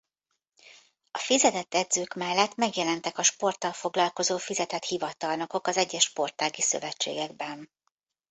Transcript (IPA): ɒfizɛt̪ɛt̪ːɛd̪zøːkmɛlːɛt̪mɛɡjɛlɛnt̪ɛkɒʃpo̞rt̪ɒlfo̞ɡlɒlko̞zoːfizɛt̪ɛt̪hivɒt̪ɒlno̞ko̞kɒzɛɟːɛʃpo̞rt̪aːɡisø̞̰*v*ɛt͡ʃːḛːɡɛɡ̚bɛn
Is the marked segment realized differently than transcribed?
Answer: no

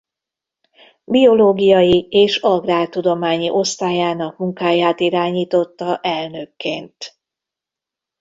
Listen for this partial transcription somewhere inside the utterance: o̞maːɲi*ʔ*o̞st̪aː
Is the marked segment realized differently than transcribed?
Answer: no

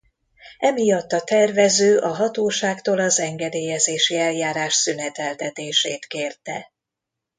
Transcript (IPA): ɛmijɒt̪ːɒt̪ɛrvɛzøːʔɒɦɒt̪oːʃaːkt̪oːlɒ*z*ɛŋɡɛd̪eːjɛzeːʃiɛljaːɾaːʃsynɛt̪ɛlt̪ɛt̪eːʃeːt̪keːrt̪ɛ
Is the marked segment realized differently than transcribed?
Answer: no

